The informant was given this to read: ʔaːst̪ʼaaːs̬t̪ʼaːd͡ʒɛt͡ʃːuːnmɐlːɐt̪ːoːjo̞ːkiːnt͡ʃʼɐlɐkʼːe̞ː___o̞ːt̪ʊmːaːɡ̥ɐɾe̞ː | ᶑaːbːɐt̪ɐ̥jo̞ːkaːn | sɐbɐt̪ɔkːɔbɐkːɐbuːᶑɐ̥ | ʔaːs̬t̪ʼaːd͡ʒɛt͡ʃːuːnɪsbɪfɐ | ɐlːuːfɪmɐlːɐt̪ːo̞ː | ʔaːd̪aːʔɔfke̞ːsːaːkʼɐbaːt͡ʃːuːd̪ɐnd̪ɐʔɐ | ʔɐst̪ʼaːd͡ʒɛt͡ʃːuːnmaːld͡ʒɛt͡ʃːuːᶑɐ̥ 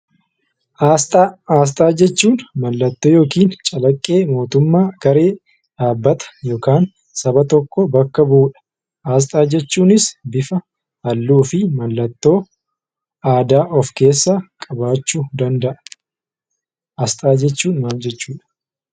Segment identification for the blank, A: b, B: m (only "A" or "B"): B